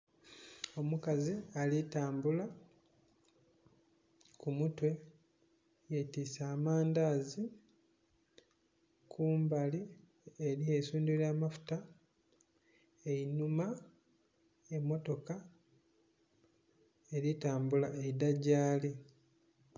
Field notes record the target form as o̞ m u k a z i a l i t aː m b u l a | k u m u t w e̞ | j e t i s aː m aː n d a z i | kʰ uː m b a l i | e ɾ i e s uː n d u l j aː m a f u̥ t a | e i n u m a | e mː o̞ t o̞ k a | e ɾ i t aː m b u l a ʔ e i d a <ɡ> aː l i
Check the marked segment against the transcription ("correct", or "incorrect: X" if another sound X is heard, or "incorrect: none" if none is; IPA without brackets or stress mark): incorrect: ɟ